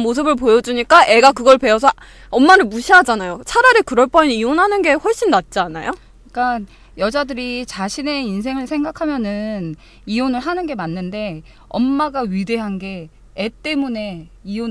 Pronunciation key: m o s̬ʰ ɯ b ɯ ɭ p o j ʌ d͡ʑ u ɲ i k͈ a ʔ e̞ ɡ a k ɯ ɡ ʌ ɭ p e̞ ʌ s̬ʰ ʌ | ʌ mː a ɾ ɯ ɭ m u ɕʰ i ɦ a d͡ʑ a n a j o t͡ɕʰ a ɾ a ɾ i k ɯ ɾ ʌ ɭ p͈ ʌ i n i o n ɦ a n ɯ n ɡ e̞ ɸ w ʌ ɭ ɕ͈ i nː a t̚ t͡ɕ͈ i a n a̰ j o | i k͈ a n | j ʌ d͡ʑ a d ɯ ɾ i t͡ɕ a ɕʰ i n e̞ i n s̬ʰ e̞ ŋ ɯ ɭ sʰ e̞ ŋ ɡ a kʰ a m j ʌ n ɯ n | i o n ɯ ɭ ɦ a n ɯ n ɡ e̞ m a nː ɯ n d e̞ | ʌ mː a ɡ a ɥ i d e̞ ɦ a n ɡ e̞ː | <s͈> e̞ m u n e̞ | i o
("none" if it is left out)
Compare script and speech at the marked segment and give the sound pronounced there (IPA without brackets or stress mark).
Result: t͈